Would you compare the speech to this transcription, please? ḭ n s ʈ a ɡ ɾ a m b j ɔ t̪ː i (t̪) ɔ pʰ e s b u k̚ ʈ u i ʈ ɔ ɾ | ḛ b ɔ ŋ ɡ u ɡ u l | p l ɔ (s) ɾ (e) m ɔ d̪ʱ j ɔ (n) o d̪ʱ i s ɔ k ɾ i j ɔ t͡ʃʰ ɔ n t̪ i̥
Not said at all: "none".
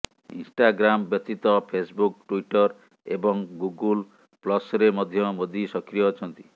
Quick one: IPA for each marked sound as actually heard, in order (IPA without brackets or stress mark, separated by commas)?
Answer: t̪, s, e, m